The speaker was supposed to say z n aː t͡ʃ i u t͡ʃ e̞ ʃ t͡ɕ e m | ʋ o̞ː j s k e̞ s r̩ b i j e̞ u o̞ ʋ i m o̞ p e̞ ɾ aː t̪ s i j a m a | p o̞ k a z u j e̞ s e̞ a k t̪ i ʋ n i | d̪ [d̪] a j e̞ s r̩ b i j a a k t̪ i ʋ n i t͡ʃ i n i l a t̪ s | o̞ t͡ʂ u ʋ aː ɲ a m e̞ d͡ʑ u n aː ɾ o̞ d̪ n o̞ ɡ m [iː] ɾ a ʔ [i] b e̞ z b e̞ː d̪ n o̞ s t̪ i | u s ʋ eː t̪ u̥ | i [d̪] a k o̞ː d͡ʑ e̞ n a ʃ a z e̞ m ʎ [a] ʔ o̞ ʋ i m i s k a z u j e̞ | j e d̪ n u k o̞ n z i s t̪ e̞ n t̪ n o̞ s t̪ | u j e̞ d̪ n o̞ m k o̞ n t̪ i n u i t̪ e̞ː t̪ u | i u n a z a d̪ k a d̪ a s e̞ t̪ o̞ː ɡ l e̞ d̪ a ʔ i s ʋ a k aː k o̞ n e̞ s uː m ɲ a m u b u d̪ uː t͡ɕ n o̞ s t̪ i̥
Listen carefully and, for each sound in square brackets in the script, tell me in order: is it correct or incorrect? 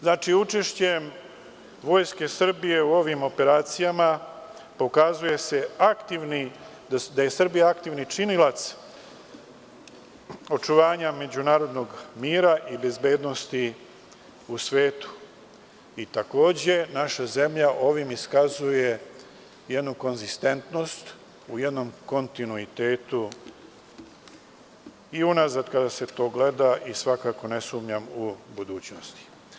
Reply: correct, correct, correct, incorrect: t̪, correct

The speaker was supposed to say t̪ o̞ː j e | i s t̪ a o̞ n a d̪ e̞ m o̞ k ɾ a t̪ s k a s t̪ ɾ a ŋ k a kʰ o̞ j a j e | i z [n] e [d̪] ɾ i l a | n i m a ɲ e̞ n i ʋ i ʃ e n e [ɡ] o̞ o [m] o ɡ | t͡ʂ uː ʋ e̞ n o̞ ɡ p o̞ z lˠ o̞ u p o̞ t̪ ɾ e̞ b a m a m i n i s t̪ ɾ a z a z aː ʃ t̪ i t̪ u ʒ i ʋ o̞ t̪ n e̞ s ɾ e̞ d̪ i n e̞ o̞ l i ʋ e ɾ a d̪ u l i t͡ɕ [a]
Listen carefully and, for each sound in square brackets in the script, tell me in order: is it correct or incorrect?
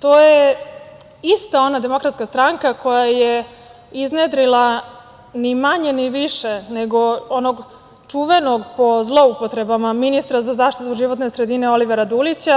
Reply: correct, correct, correct, incorrect: n, correct

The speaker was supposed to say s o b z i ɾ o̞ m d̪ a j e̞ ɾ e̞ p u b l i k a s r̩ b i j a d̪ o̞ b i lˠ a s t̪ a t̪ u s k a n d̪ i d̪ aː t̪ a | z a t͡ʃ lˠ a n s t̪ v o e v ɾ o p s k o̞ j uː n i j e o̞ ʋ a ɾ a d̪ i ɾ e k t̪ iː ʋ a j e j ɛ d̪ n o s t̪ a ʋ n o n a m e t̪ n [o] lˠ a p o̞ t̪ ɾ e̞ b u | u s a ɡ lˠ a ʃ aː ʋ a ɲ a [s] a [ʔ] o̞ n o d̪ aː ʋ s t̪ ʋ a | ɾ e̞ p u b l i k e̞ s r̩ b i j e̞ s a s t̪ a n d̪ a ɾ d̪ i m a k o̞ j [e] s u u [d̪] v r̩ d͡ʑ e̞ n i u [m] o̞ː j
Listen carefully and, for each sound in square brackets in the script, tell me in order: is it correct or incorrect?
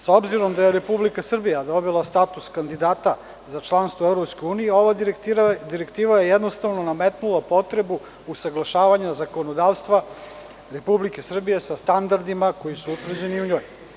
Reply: incorrect: u, incorrect: z, incorrect: k, incorrect: i, incorrect: t̪, incorrect: ɲ

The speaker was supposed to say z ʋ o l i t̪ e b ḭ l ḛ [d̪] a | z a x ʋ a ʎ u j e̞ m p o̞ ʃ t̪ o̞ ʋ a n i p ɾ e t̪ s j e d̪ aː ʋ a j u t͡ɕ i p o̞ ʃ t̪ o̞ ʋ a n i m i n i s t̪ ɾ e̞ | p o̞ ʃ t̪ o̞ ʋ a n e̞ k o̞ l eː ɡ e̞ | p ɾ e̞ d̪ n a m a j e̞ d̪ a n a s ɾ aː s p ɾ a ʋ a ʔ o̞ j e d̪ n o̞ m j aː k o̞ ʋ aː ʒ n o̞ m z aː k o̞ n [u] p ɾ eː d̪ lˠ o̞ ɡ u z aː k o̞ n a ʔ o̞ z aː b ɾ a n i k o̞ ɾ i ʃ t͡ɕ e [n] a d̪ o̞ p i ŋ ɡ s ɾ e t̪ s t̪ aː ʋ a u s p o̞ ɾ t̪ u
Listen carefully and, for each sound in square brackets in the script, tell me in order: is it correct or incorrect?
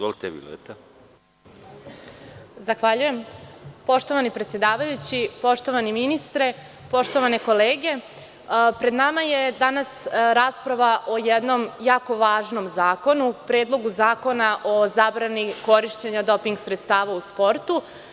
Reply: incorrect: t̪, correct, incorrect: ɲ

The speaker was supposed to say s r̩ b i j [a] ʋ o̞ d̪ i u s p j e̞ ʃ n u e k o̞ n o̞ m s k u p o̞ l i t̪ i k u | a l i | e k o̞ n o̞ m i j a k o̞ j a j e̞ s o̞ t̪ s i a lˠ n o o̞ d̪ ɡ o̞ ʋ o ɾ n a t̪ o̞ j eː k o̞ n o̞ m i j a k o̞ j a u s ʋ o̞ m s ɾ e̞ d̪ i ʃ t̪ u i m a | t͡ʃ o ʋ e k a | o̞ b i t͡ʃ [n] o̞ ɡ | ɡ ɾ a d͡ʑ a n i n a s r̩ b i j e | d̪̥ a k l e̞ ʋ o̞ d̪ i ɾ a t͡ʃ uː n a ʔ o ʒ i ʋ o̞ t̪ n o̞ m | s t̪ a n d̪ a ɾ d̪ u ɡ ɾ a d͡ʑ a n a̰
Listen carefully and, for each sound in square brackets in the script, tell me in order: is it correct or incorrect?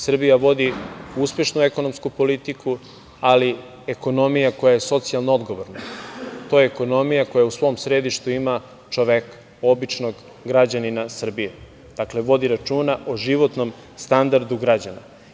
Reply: correct, correct

